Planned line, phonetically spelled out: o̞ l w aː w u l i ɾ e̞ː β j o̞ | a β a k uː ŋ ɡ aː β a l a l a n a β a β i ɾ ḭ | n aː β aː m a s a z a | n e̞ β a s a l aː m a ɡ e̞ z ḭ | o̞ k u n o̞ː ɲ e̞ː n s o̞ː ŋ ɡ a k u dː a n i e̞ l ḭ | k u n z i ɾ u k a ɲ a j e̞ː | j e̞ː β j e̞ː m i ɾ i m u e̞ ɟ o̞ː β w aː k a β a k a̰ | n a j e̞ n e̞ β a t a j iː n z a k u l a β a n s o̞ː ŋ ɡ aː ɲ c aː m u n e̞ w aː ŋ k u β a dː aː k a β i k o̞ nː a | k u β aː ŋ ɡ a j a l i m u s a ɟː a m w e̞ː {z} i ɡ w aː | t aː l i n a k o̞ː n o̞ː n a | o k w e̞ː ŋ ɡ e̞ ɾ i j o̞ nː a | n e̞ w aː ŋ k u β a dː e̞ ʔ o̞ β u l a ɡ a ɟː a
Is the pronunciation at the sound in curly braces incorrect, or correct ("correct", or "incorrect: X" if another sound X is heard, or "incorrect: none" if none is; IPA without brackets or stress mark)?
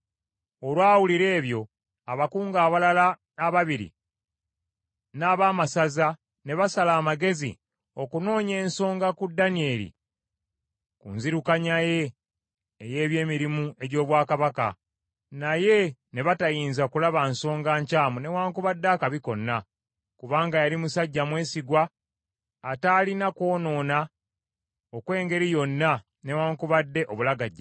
incorrect: s